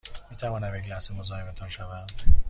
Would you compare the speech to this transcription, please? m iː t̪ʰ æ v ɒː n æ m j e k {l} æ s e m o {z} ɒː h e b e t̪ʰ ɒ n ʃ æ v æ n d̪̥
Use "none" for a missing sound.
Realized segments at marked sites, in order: l, z

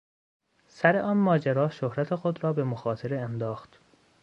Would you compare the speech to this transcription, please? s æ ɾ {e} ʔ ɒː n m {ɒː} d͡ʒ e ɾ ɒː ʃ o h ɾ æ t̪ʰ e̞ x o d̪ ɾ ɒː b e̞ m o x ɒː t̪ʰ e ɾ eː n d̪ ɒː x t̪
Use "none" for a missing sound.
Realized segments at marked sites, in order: e, ɒː

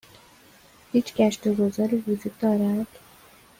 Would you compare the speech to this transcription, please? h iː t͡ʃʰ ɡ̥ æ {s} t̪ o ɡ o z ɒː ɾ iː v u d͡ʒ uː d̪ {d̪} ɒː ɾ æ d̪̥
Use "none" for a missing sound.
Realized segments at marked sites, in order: ʃ, d̪

